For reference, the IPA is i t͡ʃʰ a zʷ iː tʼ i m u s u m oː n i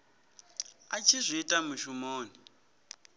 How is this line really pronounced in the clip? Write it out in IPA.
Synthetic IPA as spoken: a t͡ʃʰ i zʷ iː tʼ a m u ʃ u m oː n i